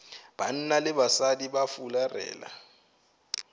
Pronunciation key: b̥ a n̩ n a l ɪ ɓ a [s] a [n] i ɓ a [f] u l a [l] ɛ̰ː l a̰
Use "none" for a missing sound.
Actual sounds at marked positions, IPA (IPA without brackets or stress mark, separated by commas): s, d, f, r